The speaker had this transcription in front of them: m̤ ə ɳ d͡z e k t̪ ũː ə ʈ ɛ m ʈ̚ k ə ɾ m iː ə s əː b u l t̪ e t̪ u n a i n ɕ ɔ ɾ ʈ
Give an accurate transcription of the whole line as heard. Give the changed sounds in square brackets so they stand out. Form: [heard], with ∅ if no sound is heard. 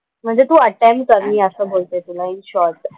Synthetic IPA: m̤ ə ɳ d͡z e [∅] t̪ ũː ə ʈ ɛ m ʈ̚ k ə ɾ m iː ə s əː b [o] l t̪ e t̪ u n a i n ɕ ɔ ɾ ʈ